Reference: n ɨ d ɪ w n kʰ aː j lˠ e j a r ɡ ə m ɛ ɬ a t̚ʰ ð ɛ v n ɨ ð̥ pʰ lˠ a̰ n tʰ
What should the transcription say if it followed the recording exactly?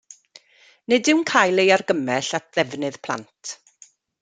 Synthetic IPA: n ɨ d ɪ w n kʰ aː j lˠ e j a r ɡ ə m ɛ ɬ a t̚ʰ ð ɛ v n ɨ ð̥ pʰ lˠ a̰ n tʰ